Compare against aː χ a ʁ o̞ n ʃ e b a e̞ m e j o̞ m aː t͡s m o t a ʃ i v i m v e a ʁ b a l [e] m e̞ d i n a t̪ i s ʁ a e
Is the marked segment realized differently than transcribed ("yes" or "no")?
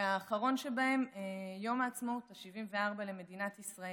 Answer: no